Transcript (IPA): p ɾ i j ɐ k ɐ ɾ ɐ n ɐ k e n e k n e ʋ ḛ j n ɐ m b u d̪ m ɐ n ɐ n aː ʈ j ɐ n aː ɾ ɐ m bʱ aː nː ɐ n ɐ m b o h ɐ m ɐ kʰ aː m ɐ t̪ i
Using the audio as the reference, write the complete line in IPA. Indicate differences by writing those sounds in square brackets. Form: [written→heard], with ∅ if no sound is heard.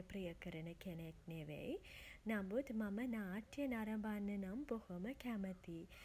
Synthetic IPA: p ɾ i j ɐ k ɐ ɾ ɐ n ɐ k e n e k n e ʋ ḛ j n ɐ m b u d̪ m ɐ [n→m] ɐ n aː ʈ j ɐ n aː ɾ ɐ m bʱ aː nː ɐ n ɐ m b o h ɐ m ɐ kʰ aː m ɐ t̪ i